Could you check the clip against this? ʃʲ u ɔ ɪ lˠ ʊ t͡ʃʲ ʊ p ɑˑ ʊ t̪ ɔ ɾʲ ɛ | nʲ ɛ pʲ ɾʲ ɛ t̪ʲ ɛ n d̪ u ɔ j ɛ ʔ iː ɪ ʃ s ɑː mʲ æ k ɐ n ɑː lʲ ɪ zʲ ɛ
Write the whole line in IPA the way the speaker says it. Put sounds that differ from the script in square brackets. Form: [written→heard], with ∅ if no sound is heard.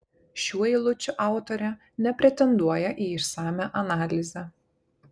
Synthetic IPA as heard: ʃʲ u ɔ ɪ lˠ ʊ t͡ʃʲ ʊ [p→ʔ] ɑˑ ʊ t̪ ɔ ɾʲ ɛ | nʲ ɛ pʲ ɾʲ ɛ t̪ʲ ɛ n d̪ u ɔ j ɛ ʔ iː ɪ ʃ s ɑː mʲ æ [k→ʔ] ɐ n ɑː lʲ ɪ zʲ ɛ